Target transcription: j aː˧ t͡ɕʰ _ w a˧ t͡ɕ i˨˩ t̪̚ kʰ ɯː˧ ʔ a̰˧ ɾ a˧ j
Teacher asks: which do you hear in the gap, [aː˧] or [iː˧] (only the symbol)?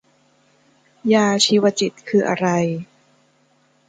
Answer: iː˧